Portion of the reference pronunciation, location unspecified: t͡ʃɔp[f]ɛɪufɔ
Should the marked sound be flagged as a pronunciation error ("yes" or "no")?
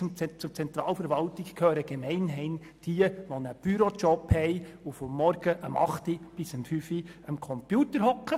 yes